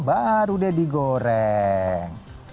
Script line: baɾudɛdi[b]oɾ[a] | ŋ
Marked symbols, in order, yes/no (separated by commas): no, no